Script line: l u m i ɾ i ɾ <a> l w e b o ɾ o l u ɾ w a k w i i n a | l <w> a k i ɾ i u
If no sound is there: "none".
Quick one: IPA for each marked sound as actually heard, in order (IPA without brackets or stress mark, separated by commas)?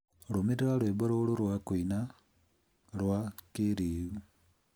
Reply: a, w